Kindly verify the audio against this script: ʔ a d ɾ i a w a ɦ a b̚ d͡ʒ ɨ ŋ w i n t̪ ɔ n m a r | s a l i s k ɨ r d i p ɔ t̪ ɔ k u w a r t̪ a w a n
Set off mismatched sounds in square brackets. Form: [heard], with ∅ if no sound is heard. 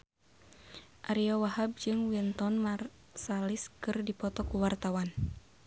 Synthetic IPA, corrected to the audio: ʔ a [∅] ɾ i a w a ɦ a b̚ d͡ʒ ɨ ŋ w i n t̪ ɔ n m a r | s a l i s k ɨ r d i p ɔ t̪ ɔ k u w a r t̪ a w a n